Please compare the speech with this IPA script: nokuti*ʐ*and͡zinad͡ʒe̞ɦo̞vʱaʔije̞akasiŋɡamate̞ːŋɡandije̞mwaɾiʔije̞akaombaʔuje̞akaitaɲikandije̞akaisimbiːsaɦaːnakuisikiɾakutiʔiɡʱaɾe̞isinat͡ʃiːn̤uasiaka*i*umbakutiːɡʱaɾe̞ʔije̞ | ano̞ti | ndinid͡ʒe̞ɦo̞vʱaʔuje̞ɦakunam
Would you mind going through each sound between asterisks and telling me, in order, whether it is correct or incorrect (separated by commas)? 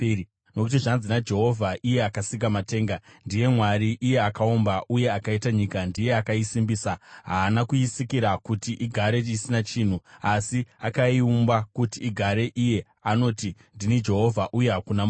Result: correct, correct